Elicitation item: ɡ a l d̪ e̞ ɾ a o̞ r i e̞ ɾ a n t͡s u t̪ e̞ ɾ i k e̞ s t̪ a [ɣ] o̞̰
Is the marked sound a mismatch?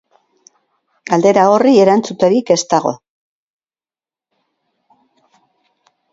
no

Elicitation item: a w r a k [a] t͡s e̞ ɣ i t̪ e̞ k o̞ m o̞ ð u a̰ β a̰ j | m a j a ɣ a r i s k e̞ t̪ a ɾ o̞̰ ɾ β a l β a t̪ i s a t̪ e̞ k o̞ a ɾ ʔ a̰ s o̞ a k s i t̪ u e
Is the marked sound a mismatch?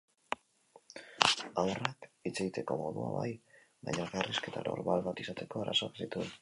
yes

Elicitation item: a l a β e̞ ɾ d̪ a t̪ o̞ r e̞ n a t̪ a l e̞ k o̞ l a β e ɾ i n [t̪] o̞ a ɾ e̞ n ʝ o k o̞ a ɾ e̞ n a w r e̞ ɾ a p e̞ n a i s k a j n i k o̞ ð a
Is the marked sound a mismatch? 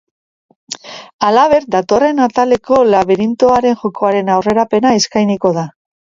no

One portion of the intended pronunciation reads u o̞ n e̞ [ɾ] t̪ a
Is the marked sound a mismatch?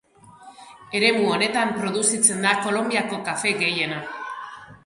yes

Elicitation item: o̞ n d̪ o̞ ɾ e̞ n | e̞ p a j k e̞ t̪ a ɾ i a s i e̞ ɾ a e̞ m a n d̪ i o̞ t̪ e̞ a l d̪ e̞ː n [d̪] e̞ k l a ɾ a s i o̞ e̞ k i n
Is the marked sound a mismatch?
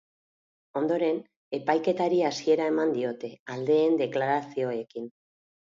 no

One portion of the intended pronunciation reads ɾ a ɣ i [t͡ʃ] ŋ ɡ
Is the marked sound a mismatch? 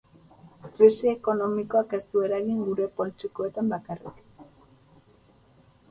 yes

